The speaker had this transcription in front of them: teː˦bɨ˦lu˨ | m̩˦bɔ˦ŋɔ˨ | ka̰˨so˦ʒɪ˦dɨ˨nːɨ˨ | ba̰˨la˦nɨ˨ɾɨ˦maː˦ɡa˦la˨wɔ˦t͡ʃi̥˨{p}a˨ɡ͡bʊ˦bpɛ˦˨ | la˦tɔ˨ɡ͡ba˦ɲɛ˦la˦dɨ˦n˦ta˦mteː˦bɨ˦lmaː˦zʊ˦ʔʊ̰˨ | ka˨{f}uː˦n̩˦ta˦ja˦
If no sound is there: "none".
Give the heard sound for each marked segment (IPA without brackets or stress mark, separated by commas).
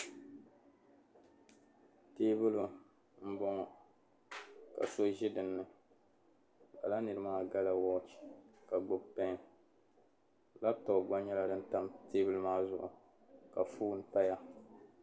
k, f